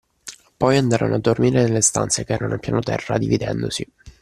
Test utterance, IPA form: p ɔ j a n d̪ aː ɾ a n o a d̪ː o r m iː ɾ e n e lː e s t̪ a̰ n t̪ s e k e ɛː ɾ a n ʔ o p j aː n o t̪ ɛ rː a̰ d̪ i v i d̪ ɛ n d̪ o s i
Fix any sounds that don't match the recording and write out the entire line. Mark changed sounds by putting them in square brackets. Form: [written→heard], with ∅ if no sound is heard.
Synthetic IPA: p ɔ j a n d̪ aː ɾ a n o a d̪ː o r m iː ɾ e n e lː e s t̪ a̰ n t̪ s e k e ɛː ɾ a n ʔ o p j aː n o t̪ ɛ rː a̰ d̪ i v i d̪ ɛ n d̪ o s i